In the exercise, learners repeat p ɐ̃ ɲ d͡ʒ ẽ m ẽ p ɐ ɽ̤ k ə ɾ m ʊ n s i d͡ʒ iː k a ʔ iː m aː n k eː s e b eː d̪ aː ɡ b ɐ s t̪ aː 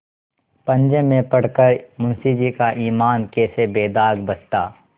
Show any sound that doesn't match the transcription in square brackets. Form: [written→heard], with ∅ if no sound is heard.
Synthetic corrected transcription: p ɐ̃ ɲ d͡ʒ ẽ m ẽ p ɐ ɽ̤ k ə ɾ m ʊ n s i d͡ʒ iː k a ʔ iː m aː n k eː s e b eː d̪ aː ɡ b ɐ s t̪ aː